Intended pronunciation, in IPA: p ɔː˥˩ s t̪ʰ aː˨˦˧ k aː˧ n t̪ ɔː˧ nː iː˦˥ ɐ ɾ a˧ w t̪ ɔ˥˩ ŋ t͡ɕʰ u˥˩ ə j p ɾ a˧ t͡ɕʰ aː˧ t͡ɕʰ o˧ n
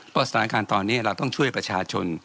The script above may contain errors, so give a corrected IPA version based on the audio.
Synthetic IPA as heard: p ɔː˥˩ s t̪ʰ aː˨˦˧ k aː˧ n t̪ ɔː˧ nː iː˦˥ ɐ ɾ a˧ w t̪ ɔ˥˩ ŋ t͡ɕʰ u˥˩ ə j p ɾ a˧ t͡ɕʰ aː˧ t͡ɕʰ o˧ n